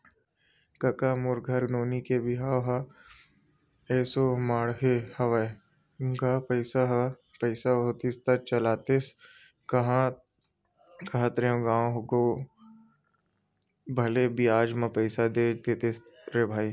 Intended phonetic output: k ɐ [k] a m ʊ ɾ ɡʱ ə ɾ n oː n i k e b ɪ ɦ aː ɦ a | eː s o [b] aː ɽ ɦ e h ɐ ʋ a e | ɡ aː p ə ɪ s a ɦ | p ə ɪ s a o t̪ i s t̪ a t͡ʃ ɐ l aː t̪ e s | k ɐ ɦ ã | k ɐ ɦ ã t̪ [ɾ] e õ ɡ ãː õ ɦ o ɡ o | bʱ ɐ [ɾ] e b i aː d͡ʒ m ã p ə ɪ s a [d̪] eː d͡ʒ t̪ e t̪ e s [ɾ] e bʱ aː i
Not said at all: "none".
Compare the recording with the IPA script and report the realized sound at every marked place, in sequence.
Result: k, m, ɾ, l, d̪, ɾ

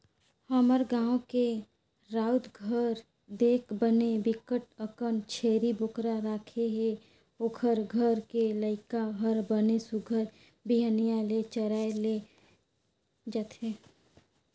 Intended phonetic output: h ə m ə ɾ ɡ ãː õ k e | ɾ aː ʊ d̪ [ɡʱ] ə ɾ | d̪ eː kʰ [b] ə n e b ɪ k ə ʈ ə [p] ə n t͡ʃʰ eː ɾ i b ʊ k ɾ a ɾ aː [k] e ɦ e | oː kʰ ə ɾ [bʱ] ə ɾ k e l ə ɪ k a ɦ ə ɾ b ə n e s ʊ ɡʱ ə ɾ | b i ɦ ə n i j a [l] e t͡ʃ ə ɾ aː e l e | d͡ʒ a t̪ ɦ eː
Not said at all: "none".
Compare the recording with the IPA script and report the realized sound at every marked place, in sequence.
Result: ɡʱ, b, k, kʰ, ɡʱ, l

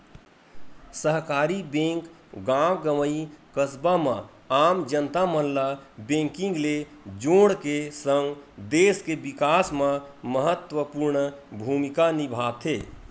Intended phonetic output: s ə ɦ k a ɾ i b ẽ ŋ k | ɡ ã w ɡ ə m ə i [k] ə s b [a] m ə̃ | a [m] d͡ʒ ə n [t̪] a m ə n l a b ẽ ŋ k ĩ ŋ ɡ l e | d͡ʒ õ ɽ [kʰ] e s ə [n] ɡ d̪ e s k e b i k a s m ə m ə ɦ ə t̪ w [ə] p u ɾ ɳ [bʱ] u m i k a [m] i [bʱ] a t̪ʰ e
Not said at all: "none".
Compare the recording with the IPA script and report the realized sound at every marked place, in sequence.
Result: k, a, m, t̪, k, ŋ, ə, bʱ, n, bʱ

